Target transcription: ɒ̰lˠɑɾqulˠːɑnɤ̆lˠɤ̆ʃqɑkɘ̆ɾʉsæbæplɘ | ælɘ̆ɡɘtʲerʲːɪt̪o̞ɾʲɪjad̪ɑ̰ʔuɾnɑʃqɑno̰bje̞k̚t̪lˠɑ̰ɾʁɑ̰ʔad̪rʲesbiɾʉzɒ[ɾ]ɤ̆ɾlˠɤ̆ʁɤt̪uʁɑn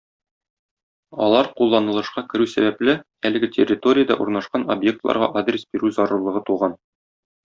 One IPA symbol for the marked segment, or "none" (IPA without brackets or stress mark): ɾ